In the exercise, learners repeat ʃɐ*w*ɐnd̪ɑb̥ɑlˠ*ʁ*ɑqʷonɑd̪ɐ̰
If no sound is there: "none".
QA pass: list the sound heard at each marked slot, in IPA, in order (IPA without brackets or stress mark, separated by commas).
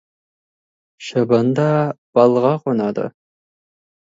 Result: b, ʁ